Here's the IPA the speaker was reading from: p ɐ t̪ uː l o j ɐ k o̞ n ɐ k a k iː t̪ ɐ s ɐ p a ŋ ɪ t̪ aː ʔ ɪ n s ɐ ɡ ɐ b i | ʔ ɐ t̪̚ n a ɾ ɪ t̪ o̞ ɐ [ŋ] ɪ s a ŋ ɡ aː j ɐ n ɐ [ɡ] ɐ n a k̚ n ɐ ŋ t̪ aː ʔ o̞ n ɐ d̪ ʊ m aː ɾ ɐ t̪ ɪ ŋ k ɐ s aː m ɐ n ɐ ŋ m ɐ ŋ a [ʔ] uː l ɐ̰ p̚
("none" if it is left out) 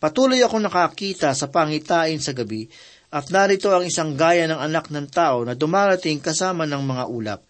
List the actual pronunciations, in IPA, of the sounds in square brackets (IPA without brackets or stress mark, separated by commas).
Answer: ŋ, ŋ, ʔ